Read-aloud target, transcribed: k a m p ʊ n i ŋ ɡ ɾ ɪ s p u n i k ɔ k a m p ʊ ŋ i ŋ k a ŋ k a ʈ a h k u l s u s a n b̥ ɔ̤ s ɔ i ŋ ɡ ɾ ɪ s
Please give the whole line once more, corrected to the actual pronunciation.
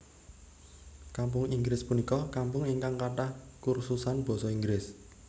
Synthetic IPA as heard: k a m p ʊ ŋ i ŋ ɡ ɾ ɪ s p u n i k ɔ k a m p ʊ ŋ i ŋ k a ŋ k a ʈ a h k u r s u s a n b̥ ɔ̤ s ɔ i ŋ ɡ ɾ ɪ s